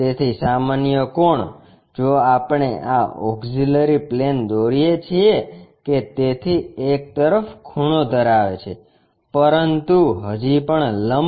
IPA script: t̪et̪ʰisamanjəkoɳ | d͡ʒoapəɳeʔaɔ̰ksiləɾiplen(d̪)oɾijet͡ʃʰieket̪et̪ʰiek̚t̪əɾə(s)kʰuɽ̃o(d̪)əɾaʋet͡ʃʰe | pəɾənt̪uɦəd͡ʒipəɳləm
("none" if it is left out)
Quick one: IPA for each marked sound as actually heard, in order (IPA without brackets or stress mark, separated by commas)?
d̪, f, d̪